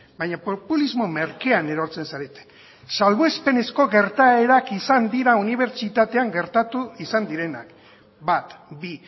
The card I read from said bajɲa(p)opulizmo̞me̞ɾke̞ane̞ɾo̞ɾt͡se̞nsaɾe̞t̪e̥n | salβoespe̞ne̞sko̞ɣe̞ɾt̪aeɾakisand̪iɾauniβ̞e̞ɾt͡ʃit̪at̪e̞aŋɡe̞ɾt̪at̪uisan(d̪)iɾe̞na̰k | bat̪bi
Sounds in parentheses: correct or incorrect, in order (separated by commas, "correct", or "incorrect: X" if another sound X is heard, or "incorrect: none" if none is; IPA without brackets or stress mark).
correct, correct